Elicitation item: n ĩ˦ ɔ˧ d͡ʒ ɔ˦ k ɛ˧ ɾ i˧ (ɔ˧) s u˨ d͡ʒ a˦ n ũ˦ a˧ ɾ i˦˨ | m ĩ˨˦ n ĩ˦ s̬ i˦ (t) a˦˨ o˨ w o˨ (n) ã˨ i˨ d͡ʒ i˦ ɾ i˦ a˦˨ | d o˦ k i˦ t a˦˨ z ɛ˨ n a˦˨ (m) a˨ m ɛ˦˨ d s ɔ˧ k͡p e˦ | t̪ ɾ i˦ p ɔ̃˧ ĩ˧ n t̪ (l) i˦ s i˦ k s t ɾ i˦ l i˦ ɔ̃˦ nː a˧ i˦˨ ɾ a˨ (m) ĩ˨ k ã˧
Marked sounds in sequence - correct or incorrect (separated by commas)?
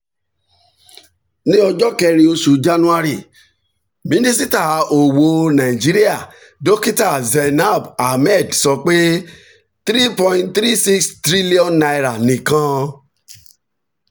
incorrect, correct, correct, incorrect, incorrect, incorrect